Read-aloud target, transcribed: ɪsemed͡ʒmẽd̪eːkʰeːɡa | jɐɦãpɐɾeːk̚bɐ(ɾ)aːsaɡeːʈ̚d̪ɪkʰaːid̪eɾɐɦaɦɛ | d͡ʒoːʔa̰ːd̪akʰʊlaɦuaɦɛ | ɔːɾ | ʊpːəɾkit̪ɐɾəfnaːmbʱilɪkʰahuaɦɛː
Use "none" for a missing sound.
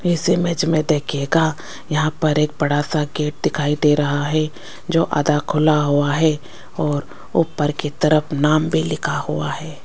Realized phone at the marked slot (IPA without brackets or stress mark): ɽ